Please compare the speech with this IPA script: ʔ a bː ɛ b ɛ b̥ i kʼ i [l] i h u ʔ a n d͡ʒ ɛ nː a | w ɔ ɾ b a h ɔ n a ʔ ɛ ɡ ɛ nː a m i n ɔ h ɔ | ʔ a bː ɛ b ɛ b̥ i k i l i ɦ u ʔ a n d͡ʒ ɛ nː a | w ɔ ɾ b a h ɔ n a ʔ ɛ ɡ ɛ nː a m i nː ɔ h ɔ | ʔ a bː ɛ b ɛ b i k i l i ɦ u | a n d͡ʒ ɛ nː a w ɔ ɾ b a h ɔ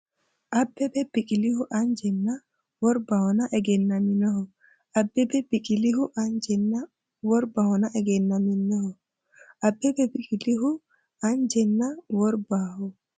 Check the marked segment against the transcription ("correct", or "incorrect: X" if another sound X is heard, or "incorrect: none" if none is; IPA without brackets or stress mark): correct